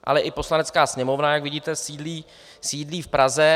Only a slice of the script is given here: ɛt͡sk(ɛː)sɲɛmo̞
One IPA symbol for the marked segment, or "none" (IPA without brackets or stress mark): aː